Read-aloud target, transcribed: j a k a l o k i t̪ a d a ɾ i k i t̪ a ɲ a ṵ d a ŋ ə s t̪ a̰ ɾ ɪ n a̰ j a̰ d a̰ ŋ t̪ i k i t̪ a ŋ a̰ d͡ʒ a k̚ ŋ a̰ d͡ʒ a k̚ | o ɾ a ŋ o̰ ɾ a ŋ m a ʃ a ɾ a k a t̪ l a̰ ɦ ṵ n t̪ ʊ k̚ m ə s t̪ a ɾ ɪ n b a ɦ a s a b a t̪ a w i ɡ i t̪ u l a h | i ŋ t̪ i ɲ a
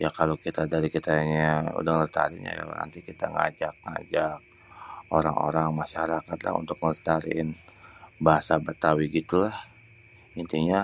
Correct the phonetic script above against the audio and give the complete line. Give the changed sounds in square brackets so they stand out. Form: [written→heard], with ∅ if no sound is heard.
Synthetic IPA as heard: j a k a l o k i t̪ a d a ɾ i k i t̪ a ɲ a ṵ d a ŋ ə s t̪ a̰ ɾ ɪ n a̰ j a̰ [d→n] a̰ [ŋ→n] t̪ i k i t̪ a ŋ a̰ d͡ʒ a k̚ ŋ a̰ d͡ʒ a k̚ | o ɾ a ŋ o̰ ɾ a ŋ m a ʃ a ɾ a k a t̪ l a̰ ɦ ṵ n t̪ ʊ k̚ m ə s t̪ a ɾ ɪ n b a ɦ a s a b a t̪ a w i ɡ i t̪ u l a h | i [ŋ→n] t̪ i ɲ a